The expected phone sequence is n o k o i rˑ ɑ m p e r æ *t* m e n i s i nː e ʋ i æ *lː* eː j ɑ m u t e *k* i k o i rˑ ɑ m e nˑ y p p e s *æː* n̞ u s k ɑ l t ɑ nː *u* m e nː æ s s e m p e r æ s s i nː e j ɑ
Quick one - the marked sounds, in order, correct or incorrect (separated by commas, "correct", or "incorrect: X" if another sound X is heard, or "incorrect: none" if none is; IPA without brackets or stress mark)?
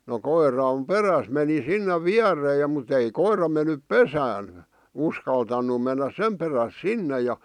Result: incorrect: s, incorrect: rː, incorrect: none, correct, correct